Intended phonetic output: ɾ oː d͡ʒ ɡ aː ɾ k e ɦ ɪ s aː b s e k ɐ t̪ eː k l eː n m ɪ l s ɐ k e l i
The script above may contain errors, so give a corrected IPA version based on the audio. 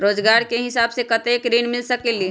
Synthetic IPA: ɾ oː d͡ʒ ɡ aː ɾ k e ɦ ɪ s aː b s e k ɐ t̪ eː k ɾ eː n m ɪ l s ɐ k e l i